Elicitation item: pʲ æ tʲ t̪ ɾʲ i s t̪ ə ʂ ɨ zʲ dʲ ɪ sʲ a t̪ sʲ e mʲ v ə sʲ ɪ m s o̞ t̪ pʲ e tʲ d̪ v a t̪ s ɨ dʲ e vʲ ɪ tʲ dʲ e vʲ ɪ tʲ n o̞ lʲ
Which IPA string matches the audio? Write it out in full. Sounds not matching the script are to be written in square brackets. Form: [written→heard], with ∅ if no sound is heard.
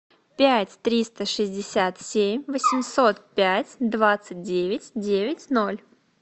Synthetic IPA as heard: pʲ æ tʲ t̪ ɾʲ i s t̪ ə ʂ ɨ zʲ dʲ ɪ sʲ a t̪ sʲ e mʲ v ə sʲ ɪ m s o̞ t̪ pʲ [e→æ] tʲ d̪ v a t̪ s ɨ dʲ e vʲ ɪ tʲ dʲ e vʲ ɪ tʲ n o̞ lʲ